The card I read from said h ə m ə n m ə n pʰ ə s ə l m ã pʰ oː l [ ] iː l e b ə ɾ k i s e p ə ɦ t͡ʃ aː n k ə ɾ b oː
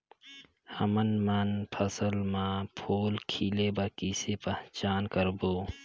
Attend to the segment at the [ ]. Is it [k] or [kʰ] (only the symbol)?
kʰ